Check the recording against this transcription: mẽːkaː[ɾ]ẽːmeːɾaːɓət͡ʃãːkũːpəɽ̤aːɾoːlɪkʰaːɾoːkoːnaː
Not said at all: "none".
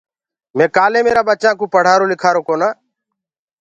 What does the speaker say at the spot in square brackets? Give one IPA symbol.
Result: l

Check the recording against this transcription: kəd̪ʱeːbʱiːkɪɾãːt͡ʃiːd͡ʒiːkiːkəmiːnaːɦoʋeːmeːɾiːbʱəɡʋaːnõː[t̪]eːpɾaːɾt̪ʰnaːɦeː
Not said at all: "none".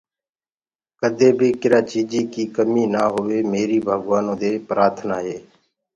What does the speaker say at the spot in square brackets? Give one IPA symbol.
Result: d̪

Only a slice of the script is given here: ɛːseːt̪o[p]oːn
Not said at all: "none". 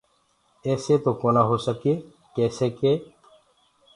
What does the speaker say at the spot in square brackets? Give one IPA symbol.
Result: k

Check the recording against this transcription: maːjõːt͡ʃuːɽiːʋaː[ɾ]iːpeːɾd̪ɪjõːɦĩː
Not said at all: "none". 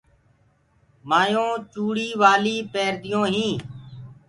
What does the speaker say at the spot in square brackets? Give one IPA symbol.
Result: l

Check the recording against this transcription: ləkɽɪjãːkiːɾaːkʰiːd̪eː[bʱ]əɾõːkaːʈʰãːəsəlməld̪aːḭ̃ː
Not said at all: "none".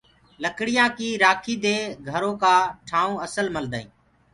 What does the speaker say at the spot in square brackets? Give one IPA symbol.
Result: ɡʱ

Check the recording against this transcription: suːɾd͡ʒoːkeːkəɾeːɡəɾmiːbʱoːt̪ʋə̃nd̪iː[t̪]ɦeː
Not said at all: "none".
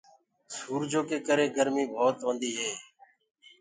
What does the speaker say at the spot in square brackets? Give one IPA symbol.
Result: none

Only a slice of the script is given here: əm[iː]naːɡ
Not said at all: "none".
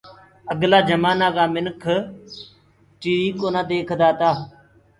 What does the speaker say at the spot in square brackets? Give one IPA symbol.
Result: aː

